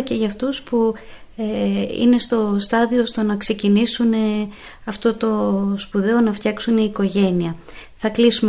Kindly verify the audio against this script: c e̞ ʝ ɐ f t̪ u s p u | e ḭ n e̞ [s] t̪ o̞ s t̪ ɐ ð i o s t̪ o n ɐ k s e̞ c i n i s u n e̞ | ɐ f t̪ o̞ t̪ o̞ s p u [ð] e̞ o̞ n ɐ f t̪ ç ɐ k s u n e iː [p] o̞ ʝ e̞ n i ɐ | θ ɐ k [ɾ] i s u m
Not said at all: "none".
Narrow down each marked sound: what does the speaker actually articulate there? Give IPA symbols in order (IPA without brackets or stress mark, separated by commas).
s, ð, k, l